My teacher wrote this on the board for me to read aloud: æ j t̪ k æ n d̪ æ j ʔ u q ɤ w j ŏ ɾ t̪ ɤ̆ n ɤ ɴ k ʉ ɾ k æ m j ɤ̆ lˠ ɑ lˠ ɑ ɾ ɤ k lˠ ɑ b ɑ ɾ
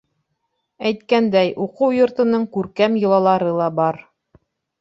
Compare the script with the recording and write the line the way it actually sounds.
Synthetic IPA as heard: æ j t̪ k æ n d̪ æ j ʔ u q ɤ w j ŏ ɾ t̪ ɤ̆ n ɤ ɴ k ʉ ɾ k æ m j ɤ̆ lˠ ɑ lˠ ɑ ɾ ɤ lˠ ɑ b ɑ ɾ